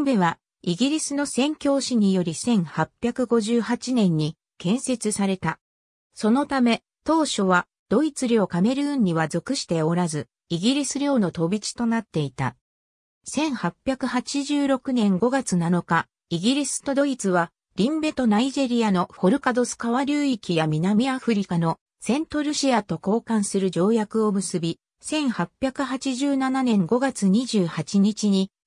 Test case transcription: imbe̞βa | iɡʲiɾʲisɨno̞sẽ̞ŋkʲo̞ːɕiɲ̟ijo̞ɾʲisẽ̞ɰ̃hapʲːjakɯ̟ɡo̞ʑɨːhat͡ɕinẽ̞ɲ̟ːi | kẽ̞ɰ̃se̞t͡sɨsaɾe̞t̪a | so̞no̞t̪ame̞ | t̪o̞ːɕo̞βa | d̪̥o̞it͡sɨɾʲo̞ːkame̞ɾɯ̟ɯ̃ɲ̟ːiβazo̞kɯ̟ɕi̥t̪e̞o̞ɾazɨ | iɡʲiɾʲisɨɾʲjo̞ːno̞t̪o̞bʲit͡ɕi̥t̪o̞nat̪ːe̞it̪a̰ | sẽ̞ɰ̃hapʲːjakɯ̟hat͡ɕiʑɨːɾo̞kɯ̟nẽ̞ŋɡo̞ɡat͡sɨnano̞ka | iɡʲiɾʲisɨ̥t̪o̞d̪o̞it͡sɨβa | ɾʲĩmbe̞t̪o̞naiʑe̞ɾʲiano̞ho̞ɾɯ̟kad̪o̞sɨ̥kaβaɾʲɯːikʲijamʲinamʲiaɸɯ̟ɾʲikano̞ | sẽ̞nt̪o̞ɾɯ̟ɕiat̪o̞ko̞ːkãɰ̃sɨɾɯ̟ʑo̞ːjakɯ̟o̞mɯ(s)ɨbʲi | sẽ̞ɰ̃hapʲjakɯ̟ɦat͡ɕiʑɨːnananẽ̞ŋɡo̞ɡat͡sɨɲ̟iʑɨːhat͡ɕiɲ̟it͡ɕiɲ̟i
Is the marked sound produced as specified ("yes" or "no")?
yes